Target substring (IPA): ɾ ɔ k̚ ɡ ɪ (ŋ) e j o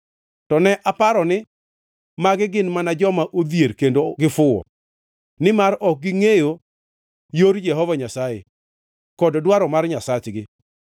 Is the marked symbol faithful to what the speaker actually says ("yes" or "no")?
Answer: yes